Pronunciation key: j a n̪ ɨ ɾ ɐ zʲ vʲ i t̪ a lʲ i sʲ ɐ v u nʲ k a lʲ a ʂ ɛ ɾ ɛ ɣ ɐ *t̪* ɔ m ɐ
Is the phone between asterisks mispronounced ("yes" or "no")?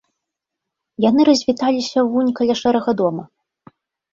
yes